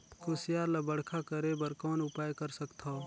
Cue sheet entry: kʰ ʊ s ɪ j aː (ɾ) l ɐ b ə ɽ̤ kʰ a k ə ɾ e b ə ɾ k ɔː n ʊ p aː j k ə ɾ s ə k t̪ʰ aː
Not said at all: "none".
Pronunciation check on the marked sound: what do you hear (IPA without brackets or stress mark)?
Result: ɾ